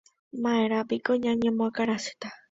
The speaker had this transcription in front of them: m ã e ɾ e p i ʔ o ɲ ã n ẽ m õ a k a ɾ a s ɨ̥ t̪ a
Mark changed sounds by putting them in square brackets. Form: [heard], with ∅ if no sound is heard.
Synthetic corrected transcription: m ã e ɾ [a] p i [k] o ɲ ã [ɲ] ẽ m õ a k a ɾ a s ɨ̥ t̪ a

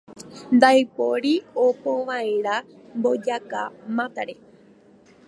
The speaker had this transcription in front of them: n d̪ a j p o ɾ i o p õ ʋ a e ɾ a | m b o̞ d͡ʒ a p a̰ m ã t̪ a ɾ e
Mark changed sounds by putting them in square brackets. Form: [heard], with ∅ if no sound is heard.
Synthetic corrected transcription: n d̪ a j p o ɾ i o p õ ʋ a e ɾ a | m b o̞ d͡ʒ a [k] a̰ m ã t̪ a ɾ e

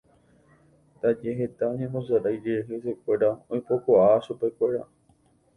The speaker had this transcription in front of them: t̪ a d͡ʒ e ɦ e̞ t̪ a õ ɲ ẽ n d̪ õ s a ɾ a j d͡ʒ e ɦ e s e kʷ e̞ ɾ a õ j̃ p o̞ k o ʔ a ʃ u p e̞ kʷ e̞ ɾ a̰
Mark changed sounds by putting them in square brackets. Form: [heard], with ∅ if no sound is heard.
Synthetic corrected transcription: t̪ a d͡ʒ e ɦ e̞ t̪ a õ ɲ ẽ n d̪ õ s a ɾ a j d͡ʒ e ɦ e s e kʷ e̞ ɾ a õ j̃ p o̞ k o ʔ a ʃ u p e̞ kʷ e̞ ɾ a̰

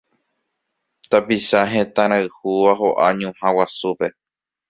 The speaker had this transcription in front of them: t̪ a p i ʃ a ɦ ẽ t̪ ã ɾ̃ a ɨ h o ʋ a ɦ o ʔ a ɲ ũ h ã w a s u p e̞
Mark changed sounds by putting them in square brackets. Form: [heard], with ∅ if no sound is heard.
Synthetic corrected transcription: t̪ a p i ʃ a ɦ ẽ t̪ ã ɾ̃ a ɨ h [u] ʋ a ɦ o ʔ a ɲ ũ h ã w a s u p e̞

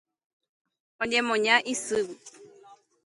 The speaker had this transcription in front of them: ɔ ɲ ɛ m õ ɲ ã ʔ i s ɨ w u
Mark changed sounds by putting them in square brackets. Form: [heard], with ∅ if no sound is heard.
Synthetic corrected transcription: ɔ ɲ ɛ m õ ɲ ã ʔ i s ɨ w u

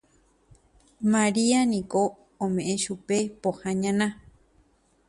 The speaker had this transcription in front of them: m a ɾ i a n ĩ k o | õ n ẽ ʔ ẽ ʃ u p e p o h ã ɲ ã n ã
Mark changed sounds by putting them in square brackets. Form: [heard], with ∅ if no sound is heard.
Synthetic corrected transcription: m a ɾ i a n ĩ k o | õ [m] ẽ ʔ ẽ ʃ u p e p o h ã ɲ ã n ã

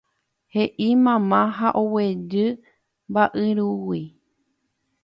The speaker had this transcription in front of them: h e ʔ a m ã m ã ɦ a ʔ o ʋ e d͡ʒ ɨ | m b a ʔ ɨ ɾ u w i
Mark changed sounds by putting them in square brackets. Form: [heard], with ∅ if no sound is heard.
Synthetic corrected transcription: h e ʔ [i] m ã m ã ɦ a ʔ o [w] e d͡ʒ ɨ | m b a ʔ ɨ ɾ u w i

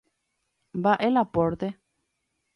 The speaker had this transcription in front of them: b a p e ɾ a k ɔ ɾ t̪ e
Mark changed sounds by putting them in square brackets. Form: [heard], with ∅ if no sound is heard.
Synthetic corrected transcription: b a [ʔ] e [l] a [p] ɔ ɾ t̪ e

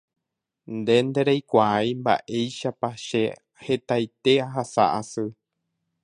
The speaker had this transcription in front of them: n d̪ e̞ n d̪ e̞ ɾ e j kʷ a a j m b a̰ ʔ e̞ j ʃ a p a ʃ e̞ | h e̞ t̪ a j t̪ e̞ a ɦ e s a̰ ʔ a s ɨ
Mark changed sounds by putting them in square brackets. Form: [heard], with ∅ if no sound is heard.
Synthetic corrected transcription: n d̪ e̞ n d̪ e̞ ɾ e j kʷ a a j m b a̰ ʔ e̞ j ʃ a p a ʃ e̞ | h e̞ t̪ a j t̪ e̞ a ɦ [a] s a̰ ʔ a s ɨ

